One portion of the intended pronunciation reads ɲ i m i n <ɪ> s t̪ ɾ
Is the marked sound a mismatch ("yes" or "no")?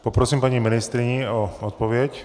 yes